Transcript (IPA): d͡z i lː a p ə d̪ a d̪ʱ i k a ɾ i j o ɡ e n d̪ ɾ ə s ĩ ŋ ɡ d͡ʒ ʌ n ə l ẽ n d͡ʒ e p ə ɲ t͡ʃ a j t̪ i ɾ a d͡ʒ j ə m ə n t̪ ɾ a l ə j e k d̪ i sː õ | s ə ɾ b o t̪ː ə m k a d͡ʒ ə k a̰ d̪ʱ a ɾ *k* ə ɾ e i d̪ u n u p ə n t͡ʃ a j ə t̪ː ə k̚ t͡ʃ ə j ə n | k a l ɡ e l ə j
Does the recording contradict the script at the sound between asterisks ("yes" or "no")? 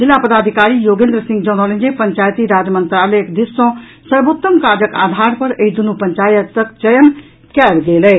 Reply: yes